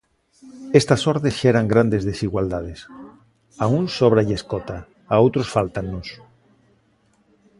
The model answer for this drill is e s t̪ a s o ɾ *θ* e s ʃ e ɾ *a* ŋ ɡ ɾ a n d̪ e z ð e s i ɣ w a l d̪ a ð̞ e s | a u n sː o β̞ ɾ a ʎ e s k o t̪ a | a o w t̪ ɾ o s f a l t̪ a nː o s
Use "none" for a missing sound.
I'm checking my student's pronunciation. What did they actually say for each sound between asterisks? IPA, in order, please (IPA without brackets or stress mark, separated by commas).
ð, a